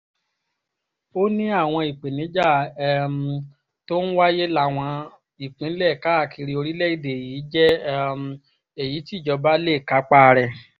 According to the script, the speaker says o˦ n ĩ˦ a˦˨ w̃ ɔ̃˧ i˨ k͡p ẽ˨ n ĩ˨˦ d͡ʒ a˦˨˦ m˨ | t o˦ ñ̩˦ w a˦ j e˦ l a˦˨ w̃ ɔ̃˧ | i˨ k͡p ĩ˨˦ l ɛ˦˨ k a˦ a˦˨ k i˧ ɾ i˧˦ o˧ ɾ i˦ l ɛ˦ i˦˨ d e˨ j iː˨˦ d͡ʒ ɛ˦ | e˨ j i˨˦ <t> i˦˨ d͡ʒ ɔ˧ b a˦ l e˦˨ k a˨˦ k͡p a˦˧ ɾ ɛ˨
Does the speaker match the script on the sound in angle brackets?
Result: yes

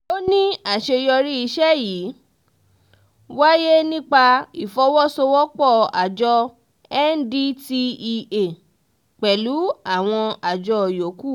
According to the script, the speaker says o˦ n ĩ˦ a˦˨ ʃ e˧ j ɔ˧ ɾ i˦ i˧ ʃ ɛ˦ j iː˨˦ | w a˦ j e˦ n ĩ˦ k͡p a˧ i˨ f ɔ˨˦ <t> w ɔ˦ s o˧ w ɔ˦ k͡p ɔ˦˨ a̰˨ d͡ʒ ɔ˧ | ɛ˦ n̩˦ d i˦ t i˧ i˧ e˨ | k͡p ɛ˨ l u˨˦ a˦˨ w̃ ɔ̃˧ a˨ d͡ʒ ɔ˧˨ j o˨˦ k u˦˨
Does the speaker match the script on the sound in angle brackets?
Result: no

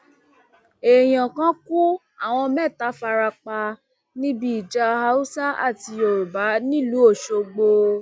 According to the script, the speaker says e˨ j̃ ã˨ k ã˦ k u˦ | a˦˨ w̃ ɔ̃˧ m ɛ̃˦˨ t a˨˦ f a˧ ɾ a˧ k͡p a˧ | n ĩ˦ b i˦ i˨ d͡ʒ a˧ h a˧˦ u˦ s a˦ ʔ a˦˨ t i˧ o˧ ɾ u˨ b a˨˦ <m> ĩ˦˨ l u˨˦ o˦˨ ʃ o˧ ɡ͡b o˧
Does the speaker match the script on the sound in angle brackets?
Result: no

